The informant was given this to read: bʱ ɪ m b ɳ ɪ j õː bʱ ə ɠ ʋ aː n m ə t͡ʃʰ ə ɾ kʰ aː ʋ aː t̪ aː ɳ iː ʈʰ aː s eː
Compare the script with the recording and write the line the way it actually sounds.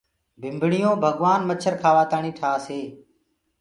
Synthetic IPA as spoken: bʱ ɪ m b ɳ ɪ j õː bʱ ə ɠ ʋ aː n m ə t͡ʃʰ ə ɾ kʰ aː ʋ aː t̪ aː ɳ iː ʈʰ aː s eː